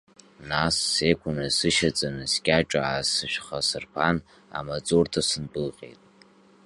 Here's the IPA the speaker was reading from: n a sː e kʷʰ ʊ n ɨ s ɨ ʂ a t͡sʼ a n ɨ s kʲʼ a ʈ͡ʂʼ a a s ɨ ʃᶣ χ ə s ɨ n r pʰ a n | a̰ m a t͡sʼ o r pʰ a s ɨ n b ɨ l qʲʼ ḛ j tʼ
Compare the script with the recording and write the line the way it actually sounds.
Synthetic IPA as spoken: n a sː e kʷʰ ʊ n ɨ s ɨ ʃ a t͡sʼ a n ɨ s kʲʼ a ʈ͡ʂʼ a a s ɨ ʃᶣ χ a s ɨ r pʰ a n | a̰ m a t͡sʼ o r tʰ a s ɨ n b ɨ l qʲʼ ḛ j tʼ